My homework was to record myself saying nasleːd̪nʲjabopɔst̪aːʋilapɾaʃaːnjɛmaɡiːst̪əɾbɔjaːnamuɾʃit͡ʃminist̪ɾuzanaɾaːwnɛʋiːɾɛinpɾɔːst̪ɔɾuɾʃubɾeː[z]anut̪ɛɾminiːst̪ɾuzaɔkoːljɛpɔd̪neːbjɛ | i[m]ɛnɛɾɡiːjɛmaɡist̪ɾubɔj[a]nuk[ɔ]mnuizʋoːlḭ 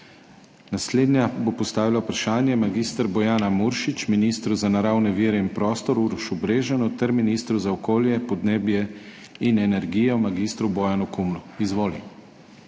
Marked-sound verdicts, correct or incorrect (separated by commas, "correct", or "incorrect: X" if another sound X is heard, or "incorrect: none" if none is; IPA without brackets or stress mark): incorrect: ʒ, incorrect: n, correct, incorrect: u